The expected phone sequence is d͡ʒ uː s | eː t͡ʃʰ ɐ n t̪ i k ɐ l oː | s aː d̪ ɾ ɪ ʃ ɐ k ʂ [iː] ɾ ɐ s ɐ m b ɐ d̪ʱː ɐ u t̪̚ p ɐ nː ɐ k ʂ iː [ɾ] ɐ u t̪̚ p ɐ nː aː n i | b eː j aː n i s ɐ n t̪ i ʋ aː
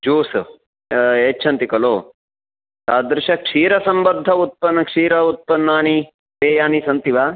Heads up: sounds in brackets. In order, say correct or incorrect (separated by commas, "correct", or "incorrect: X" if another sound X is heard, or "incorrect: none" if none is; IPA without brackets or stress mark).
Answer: correct, correct